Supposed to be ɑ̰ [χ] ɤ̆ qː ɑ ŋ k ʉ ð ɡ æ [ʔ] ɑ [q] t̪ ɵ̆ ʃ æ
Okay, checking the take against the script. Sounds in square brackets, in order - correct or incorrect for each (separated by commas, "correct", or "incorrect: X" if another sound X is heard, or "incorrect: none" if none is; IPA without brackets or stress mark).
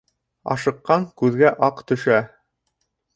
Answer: incorrect: ʃ, correct, correct